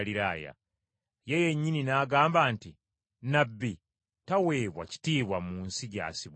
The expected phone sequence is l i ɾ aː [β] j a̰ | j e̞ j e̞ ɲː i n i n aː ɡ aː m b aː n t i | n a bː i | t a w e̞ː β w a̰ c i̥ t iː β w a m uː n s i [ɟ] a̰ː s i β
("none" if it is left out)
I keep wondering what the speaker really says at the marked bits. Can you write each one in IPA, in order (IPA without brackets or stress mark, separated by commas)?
none, ɟ